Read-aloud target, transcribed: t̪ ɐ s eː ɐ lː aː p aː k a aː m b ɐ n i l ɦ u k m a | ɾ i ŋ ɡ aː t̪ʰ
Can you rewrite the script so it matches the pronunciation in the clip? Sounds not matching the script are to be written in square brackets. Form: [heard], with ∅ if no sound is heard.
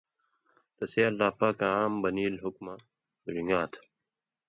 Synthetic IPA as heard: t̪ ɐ s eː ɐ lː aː p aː k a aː m b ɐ n [iː] l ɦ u k m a | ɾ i ŋ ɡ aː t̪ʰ